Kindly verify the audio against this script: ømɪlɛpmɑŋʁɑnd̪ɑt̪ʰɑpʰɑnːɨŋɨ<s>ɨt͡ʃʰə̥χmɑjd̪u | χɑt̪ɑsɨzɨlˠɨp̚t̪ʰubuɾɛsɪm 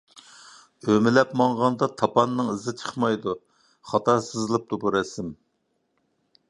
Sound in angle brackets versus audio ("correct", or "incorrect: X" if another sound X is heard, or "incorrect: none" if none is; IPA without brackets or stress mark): incorrect: z